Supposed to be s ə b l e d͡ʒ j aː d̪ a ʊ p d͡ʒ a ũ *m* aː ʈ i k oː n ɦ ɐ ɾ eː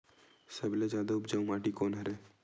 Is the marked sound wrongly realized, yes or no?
no